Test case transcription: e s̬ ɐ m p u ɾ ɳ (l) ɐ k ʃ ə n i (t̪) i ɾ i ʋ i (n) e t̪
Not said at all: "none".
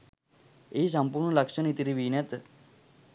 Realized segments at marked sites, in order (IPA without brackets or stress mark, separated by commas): l, t̪, n